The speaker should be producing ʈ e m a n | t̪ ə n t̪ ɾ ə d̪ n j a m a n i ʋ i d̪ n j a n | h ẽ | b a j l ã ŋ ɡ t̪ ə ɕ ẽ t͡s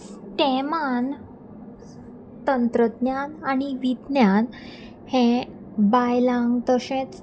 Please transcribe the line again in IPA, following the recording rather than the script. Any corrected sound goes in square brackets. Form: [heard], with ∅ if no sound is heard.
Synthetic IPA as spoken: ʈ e m a n | t̪ ə n t̪ ɾ ə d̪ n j a [n] a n i ʋ i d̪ n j a n | h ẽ | b a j l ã ŋ ɡ t̪ ə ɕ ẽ t͡s